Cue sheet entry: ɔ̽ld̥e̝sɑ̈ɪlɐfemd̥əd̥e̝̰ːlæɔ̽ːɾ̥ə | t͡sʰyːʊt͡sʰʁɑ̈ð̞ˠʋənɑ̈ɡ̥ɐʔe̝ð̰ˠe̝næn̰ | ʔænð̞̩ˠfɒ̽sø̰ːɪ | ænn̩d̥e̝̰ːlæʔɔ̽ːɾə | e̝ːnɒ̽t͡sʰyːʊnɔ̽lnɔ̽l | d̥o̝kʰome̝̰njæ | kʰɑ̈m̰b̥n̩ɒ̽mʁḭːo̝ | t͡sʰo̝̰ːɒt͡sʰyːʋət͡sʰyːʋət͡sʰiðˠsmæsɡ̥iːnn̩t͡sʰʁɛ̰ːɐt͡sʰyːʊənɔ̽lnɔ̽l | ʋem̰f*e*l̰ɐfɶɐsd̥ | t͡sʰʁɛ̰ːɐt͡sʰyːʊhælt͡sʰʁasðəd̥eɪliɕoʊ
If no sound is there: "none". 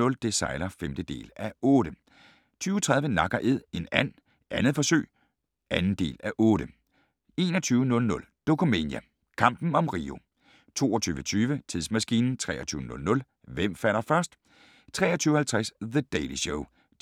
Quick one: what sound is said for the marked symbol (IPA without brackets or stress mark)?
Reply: æ